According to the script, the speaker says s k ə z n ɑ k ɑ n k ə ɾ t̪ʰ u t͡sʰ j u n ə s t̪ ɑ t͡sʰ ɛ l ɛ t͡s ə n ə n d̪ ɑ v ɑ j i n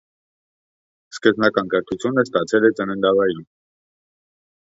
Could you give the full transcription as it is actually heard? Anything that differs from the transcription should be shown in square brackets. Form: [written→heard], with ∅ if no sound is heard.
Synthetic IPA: s k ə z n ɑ k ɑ n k ə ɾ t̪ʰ u t͡sʰ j u n ə s t̪ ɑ t͡sʰ ɛ l ɛ t͡s ə n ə n d̪ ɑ v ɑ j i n